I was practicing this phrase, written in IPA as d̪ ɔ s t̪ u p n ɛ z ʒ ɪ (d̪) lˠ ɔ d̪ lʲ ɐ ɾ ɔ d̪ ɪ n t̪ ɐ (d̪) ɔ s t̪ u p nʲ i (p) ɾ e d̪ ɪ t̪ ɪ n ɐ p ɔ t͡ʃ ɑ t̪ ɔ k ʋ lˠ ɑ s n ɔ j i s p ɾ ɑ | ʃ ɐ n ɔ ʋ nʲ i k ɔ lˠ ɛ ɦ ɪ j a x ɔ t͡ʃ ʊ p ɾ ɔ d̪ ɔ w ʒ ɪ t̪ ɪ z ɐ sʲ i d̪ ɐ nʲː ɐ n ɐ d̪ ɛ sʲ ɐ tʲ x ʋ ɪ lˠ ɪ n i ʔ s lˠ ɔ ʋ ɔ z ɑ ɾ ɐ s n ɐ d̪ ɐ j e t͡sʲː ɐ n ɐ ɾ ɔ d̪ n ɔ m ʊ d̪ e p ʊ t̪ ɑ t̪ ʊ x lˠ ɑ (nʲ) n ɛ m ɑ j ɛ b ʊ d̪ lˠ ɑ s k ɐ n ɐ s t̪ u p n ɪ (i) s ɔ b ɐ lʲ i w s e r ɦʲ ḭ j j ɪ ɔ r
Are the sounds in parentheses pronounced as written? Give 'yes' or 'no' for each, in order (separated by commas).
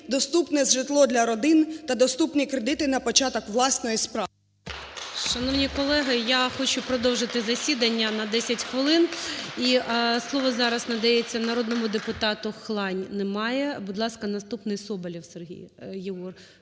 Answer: no, yes, no, yes, no